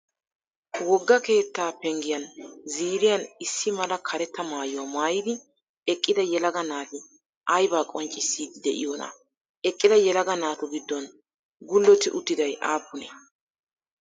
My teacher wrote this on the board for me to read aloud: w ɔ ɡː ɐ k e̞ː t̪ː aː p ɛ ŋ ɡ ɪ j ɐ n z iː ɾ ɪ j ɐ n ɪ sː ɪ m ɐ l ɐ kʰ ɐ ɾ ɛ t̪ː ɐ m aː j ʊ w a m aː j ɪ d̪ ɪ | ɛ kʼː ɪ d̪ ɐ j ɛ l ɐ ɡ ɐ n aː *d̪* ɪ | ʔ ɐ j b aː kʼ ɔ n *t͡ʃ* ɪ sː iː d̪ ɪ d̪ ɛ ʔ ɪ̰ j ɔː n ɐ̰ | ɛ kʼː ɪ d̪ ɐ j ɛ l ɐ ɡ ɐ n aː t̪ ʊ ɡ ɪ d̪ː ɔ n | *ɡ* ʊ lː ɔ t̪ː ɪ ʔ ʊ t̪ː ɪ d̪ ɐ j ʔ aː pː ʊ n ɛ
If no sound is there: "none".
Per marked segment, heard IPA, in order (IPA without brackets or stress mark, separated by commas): t̪, t͡ʃʼ, ɡ